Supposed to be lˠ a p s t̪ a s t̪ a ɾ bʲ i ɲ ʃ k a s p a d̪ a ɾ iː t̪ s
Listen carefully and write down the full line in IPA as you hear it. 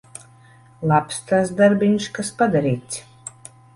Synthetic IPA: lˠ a p s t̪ a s d̪ a ɾ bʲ i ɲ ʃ k a s p a d̪ a ɾ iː t̪ s